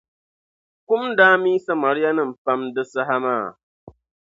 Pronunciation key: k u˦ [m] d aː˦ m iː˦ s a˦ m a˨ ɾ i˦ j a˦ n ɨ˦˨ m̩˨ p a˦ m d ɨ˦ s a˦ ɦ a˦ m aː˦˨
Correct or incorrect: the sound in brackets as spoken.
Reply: correct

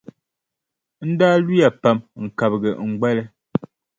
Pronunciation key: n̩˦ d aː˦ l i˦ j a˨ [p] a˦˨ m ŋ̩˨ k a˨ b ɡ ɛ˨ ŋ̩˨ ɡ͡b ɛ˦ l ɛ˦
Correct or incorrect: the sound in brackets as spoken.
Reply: correct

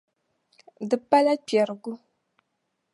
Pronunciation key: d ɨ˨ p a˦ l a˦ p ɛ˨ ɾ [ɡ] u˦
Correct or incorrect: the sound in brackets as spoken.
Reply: correct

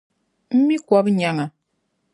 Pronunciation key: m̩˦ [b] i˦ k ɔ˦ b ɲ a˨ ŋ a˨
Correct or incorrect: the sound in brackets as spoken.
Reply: incorrect: m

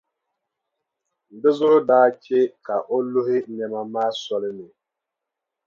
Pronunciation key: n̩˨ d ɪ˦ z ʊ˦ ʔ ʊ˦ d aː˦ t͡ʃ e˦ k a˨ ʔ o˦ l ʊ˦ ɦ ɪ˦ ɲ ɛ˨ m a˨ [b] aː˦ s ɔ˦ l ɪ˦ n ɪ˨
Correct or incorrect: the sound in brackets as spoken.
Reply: incorrect: m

